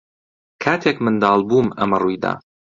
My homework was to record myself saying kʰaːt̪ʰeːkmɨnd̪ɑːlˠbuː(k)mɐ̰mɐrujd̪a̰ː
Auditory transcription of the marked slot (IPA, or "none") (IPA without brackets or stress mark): none